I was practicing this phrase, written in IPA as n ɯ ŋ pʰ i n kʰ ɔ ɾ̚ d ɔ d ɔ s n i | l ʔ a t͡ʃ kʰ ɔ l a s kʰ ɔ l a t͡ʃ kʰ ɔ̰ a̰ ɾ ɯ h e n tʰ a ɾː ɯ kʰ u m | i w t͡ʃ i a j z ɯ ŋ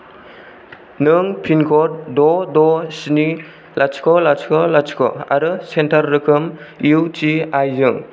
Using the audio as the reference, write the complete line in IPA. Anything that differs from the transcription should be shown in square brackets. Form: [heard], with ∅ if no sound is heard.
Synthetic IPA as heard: n ɯ ŋ pʰ i n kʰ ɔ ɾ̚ d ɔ d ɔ s n i | l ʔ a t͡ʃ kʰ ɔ l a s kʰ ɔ l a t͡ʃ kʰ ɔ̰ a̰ ɾ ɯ [s] e n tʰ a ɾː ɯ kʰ [ɯ] m | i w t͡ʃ i a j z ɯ ŋ

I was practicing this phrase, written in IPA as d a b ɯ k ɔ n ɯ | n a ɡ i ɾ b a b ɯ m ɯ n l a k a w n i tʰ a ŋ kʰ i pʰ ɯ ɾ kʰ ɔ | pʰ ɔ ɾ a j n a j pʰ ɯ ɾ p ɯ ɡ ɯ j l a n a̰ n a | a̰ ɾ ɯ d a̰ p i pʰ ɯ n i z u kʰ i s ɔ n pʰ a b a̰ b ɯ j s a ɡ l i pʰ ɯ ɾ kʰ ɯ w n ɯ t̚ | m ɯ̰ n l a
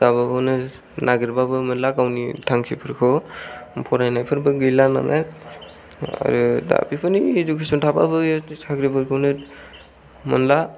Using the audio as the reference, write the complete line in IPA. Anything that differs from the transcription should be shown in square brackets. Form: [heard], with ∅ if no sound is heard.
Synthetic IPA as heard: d a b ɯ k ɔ n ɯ | n a ɡ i ɾ b a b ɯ m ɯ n l a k a w n i tʰ a ŋ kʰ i pʰ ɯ ɾ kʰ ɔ | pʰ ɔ ɾ a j n a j pʰ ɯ ɾ [b] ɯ ɡ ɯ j l a n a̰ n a | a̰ ɾ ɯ d a̰ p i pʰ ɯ n i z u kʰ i s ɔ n [tʰ] a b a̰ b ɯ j s a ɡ [ɾ] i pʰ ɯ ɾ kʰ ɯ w n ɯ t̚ | m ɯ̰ n l a

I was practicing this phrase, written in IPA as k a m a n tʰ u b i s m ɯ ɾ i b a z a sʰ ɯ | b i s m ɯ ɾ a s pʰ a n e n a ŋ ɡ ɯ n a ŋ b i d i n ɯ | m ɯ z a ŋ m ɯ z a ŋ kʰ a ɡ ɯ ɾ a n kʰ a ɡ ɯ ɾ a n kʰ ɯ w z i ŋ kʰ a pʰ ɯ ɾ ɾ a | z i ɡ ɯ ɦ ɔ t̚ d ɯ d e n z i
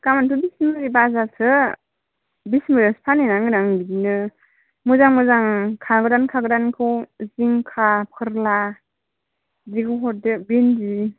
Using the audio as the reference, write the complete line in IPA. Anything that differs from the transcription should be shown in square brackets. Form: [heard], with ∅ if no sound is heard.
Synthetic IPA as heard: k a m a n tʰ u b i s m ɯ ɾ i b a z a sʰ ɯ | b i s m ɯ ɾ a s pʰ a n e n a ŋ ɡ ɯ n a ŋ b i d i n ɯ | m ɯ z a ŋ m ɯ z a ŋ kʰ a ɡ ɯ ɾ a n kʰ a ɡ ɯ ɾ a n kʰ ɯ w z i ŋ kʰ a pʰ ɯ ɾ [l] a | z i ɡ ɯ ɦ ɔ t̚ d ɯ [b] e n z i

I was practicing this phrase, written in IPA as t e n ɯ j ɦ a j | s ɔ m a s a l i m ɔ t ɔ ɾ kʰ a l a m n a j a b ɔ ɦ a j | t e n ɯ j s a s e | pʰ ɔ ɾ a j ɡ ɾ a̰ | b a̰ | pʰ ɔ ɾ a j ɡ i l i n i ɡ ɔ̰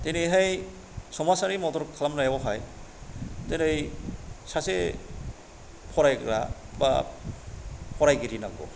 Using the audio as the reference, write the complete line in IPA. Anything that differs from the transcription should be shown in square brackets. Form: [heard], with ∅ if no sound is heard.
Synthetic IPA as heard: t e n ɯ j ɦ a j | s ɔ m a s a [ɾ] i m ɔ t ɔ ɾ kʰ a l a m n a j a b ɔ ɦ a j | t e n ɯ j s a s e | pʰ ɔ ɾ a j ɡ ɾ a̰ | b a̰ | pʰ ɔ ɾ a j ɡ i [ɾ] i n [a] ɡ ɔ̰

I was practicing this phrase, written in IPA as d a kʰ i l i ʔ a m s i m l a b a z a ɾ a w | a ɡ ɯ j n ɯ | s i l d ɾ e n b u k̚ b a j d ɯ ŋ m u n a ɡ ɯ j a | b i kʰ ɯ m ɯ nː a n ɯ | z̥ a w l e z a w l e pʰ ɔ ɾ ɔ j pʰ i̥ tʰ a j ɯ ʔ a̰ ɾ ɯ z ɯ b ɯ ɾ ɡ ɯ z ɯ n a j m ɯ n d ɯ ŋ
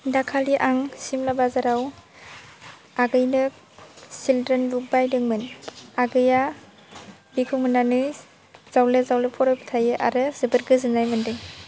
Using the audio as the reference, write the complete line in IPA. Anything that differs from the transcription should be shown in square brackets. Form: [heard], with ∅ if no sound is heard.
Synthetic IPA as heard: d a kʰ [a] l i ʔ a [ŋ] s i m l a b a z a ɾ a w | a ɡ ɯ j n ɯ | s i l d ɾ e n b u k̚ b a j d ɯ ŋ m [ɯ] n a ɡ ɯ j a | b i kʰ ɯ m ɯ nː a n ɯ | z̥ a w l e z a w l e pʰ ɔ ɾ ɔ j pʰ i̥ tʰ a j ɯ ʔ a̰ ɾ ɯ z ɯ b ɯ ɾ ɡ ɯ z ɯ n a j m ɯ n d ɯ ŋ

